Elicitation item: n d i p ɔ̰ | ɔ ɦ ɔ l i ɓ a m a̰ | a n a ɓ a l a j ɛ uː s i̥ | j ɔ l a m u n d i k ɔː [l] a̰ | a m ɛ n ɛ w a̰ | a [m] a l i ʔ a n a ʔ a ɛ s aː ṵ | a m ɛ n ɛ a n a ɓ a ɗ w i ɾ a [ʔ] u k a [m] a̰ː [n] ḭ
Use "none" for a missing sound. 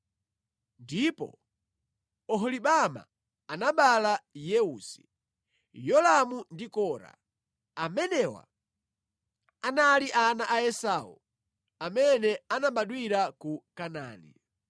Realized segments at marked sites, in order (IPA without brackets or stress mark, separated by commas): ɾ, n, k, n, n